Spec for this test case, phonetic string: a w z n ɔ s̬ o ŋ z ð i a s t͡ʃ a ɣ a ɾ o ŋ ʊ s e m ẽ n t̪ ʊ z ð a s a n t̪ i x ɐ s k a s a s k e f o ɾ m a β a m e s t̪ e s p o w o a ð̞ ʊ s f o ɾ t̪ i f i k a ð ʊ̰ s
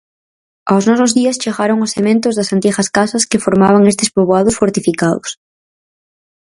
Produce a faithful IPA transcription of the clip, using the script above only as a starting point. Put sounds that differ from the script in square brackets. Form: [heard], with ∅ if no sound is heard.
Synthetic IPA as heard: a w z n ɔ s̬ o [∅] z ð i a s t͡ʃ [e] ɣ a ɾ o ŋ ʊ s e m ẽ n t̪ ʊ z ð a s a n t̪ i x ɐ s k a s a s k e f o ɾ m a β a [ŋ] e s t̪ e s p o [β] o a ð̞ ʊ s f o ɾ t̪ i f i k a ð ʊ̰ s